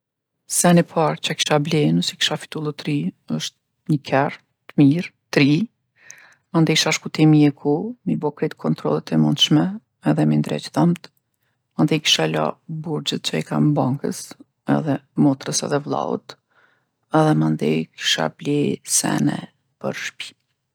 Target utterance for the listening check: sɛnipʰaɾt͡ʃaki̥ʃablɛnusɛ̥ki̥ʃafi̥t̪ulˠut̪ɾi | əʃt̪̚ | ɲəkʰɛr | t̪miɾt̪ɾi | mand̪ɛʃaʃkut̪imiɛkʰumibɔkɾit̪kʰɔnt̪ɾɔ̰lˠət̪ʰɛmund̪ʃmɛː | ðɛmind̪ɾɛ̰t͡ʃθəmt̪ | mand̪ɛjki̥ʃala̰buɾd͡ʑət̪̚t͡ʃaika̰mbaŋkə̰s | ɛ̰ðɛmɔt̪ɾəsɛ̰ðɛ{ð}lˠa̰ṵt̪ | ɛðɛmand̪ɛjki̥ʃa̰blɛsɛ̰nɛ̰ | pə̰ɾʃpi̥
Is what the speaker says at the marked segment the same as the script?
no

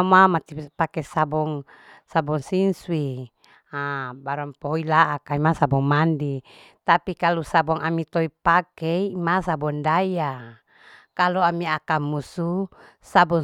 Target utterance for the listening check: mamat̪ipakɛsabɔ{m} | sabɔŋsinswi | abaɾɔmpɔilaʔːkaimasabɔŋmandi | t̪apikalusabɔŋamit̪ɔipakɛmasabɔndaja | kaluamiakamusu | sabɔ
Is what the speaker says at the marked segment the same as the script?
no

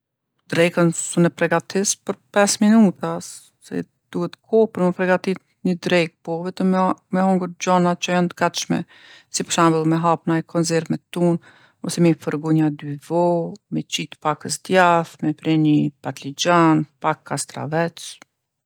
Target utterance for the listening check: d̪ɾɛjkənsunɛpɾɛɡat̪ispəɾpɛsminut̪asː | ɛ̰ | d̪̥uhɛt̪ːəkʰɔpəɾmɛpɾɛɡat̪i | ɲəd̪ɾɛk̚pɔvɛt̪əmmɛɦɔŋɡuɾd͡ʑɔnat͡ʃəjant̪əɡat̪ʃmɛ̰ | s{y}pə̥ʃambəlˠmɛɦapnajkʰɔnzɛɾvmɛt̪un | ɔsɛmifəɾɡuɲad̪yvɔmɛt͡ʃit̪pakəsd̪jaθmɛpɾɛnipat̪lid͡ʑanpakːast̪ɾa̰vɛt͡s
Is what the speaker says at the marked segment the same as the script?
no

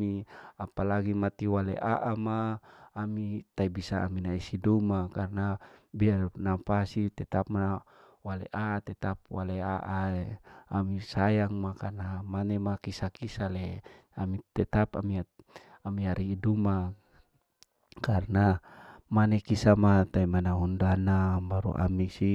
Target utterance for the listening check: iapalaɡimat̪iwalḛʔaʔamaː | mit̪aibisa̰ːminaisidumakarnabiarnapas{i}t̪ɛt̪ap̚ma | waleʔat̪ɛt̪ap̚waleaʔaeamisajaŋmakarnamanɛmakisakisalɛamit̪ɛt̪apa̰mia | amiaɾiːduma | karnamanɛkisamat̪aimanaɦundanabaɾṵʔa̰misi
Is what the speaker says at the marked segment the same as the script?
yes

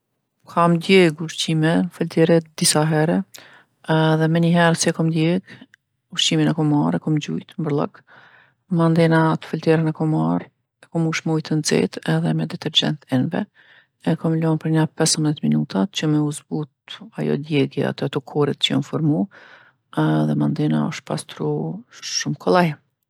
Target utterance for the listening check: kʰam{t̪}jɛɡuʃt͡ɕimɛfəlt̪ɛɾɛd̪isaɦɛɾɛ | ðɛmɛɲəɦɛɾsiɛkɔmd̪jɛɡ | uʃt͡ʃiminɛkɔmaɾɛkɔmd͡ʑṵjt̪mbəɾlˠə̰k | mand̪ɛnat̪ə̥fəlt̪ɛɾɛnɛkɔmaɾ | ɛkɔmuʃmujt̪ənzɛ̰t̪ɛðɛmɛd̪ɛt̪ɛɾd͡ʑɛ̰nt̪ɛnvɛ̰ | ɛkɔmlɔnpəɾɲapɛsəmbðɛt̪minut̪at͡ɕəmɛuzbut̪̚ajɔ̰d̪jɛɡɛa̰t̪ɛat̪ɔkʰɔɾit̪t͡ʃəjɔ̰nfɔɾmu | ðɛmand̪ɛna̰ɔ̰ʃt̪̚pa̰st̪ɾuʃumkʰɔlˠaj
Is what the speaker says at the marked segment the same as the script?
no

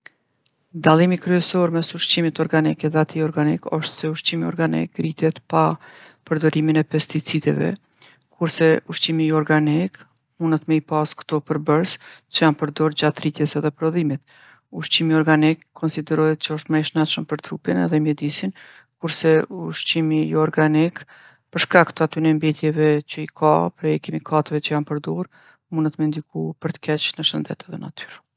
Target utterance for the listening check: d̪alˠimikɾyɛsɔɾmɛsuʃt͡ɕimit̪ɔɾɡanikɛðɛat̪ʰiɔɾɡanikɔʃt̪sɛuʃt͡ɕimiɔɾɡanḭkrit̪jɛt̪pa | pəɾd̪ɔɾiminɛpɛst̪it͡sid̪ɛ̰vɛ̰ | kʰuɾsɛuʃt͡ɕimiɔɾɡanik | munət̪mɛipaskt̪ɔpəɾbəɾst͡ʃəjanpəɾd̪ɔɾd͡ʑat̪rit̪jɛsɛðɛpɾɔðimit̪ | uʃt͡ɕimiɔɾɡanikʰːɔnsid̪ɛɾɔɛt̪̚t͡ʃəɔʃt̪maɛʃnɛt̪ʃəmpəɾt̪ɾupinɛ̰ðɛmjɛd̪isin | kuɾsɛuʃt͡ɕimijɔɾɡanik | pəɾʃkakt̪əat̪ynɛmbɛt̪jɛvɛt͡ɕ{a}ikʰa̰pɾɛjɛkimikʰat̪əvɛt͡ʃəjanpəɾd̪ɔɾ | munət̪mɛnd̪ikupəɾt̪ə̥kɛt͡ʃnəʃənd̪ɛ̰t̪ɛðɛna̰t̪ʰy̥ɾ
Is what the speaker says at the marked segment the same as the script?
no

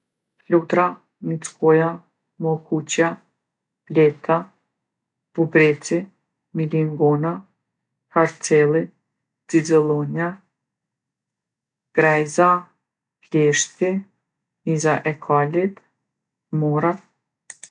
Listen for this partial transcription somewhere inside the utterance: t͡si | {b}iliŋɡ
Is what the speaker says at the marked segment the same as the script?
no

